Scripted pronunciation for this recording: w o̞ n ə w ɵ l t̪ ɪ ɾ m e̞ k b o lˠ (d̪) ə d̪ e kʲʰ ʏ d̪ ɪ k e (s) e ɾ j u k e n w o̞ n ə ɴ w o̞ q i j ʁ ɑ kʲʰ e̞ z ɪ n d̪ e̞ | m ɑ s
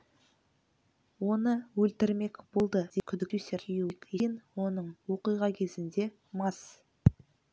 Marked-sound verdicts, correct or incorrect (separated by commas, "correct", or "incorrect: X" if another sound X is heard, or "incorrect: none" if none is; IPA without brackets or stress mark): correct, correct